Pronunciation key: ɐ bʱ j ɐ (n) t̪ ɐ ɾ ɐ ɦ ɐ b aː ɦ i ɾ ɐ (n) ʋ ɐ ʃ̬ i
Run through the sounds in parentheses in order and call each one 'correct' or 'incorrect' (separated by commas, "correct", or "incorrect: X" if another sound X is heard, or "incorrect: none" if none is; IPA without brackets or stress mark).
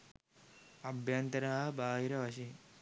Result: correct, incorrect: none